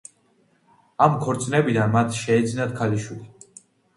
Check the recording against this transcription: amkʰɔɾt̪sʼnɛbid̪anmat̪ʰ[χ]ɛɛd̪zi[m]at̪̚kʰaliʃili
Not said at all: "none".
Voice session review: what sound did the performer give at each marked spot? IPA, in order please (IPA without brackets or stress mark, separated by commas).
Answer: ʃ, n